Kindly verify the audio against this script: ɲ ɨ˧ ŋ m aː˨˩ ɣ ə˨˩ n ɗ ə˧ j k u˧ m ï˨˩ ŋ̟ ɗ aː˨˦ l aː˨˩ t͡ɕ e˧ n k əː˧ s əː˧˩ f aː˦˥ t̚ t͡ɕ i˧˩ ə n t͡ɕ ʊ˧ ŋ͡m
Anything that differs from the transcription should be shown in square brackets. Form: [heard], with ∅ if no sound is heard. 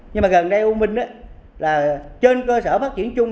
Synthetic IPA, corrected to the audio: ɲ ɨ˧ ŋ m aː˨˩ ɣ ə˨˩ n ɗ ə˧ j [ʔ] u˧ m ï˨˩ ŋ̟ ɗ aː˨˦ l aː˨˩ t͡ɕ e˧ n k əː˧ s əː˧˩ f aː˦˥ t̚ t͡ɕ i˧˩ ə n t͡ɕ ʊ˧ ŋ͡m